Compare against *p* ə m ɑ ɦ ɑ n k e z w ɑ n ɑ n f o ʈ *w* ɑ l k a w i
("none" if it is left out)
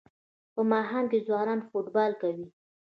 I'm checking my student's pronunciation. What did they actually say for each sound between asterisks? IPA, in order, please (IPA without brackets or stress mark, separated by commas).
p, b